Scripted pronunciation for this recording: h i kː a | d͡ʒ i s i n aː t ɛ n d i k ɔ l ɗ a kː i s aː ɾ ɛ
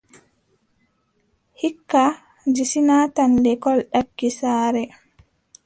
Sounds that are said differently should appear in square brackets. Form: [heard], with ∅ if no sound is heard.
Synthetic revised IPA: h i kː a | d͡ʒ i s i n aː t [a] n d [ɛ] k ɔ l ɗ a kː i s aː ɾ ɛ